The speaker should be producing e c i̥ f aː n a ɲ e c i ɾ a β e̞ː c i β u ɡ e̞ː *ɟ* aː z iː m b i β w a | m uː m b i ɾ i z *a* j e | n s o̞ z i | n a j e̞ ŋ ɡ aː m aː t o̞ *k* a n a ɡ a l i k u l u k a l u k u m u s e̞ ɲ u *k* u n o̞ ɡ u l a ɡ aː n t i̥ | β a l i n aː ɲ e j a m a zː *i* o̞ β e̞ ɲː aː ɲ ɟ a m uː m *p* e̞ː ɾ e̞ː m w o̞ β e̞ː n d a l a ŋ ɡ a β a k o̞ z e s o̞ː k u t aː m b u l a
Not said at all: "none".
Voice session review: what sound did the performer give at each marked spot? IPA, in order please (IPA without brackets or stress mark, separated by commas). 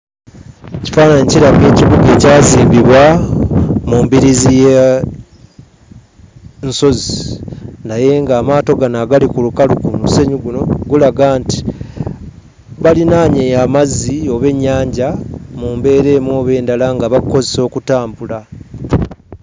c, i, ɡ, ɡ, i, b